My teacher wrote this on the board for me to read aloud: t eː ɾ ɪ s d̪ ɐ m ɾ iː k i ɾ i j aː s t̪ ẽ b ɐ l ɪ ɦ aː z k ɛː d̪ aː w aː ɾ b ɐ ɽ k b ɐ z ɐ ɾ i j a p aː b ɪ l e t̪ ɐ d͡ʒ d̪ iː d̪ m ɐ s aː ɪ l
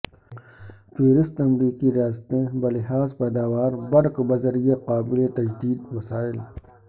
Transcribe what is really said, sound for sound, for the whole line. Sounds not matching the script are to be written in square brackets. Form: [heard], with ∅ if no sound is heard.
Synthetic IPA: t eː ɾ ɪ s [t̪] ɐ m ɾ iː k i ɾ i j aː s t̪ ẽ b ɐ l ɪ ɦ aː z [p] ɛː d̪ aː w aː ɾ b ɐ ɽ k b ɐ z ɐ ɾ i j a [q] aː b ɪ l e t̪ ɐ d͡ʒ d̪ iː d̪ m ɐ s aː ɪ l